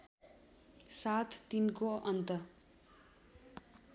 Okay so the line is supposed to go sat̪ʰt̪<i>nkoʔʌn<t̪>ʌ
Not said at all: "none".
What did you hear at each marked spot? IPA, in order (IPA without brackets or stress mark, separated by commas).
i, t̪